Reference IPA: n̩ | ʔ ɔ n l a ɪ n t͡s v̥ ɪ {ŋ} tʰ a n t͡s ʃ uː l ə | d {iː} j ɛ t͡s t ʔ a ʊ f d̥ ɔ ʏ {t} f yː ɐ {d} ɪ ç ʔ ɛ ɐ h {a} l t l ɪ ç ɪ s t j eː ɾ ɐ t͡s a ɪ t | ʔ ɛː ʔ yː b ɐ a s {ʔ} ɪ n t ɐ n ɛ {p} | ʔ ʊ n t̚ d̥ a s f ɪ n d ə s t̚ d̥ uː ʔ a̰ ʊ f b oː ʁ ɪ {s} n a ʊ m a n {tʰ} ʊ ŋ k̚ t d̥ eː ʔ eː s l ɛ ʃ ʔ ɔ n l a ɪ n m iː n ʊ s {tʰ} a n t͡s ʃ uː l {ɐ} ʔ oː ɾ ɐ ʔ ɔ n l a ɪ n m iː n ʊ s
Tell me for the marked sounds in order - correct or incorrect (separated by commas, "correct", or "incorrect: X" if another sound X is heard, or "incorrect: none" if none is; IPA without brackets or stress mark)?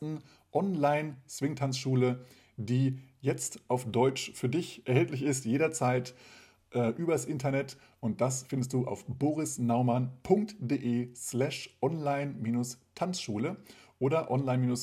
correct, correct, incorrect: t͡ʃ, correct, incorrect: ɛ, correct, incorrect: t, correct, incorrect: pʰ, correct, incorrect: ə